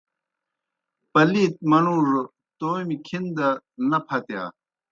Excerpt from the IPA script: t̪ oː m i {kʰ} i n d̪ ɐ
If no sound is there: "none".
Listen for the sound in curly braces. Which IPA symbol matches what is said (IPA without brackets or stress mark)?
kʰ